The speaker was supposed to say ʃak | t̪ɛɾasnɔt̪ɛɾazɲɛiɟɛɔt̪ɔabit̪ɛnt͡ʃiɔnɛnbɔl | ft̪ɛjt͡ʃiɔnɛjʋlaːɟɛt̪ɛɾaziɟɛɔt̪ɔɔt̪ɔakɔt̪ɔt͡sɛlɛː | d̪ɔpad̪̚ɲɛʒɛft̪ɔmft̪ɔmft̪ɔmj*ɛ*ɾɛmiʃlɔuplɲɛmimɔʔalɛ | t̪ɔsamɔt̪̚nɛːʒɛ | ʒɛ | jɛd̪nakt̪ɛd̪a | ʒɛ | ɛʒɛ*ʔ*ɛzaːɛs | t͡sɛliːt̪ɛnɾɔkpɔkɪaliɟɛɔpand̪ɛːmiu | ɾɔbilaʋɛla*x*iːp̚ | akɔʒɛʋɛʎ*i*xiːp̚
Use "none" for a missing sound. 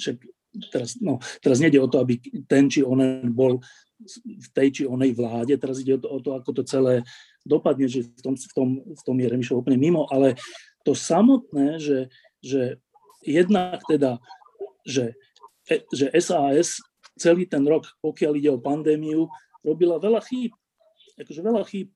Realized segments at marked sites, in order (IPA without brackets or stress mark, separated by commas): ɛ, ʔ, x, a